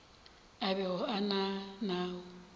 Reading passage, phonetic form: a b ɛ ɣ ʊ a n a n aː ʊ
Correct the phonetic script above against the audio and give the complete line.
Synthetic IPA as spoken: a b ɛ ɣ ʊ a n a n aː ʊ